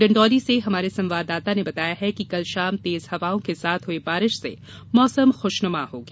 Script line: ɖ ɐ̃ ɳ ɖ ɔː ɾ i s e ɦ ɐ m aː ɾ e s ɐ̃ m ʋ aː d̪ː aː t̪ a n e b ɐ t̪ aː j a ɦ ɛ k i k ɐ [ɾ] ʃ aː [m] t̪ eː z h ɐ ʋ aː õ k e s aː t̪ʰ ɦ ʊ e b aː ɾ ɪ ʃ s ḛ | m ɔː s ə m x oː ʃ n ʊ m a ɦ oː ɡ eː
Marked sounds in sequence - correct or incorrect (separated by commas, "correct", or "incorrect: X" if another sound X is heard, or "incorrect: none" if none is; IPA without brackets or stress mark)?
incorrect: l, correct